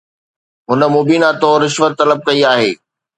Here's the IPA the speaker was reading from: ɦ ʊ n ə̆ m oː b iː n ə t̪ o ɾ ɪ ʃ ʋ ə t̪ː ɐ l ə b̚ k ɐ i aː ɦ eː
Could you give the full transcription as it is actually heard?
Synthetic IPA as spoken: ɦ ʊ n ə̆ m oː b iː n a t̪ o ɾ ɪ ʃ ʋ ə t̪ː ɐ l ə b̚ k ɐ i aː ɦ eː